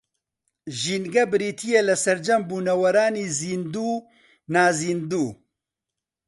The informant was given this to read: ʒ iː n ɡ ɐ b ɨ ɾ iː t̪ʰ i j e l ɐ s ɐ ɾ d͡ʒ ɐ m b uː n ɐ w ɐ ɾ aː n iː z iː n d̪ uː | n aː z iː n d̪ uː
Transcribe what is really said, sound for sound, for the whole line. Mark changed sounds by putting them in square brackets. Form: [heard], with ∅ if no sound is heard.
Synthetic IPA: ʒ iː n ɡ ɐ b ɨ ɾ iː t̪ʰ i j e l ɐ s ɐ ɾ d͡ʒ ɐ m b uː n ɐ w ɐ ɾ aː n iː z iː n d̪ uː | n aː z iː n d̪ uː